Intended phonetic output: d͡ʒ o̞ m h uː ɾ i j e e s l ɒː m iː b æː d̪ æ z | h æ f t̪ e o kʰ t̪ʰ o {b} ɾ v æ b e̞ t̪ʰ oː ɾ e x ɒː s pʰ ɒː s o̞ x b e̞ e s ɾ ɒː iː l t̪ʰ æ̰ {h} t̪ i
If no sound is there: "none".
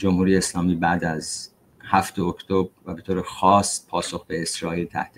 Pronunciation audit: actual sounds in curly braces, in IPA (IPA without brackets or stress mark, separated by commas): b, h